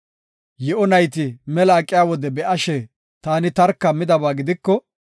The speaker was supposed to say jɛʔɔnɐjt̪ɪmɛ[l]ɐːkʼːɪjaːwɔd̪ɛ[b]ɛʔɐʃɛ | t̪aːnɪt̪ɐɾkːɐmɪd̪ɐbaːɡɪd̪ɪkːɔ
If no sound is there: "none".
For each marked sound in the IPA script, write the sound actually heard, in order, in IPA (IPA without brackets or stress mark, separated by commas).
l, b